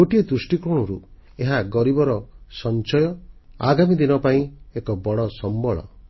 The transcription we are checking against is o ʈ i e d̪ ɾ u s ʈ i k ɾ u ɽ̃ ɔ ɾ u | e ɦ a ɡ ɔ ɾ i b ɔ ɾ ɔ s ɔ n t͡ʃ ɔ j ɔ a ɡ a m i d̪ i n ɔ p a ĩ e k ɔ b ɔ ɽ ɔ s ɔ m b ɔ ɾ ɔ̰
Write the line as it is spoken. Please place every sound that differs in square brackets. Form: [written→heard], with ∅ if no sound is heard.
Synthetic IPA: o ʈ i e d̪ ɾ u s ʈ i k ɾ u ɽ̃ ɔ ɾ u | e ɦ a ɡ ɔ ɾ i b ɔ ɾ ɔ s ɔ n t͡ʃ ɔ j ɔ a ɡ a m i d̪ i n ɔ p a ĩ e k ɔ b ɔ ɽ ɔ s ɔ m b ɔ [ɾ→ɭ] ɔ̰